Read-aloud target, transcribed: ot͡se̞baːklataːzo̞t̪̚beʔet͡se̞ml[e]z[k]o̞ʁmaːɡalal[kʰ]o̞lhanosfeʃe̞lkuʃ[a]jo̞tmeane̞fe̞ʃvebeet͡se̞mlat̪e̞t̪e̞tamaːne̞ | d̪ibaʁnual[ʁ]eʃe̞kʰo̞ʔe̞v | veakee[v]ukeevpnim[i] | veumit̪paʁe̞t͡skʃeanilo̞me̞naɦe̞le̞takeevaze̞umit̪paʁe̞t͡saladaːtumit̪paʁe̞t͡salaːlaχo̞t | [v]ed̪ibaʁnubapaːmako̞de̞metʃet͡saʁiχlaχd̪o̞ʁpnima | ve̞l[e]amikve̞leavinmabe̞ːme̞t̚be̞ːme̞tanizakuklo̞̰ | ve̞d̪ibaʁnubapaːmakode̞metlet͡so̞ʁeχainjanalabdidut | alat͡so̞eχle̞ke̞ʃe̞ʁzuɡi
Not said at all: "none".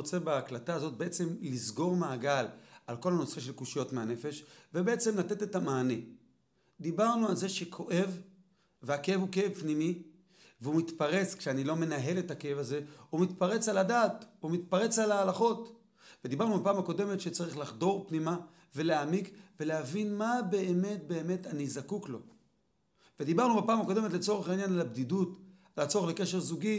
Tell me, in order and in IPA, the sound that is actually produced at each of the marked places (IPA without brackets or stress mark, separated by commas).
i, ɡ, k, i, z, v, i, v, e